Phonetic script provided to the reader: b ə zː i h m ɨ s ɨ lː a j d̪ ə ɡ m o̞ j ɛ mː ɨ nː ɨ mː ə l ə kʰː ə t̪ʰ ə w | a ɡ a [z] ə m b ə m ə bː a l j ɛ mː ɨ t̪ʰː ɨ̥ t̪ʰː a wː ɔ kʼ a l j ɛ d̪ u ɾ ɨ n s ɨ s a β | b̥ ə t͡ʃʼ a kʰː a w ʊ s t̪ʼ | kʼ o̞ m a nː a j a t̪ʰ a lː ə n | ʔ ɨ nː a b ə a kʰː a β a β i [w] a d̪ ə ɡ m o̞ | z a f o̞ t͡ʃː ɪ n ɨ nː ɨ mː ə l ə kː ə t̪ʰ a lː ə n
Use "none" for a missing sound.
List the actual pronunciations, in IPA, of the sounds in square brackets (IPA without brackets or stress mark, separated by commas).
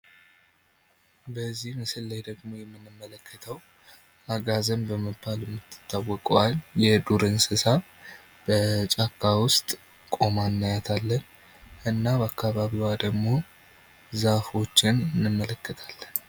z, w